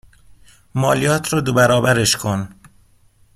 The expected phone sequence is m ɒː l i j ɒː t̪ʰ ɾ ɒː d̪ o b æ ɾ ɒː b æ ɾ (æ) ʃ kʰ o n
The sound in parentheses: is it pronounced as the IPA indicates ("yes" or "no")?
no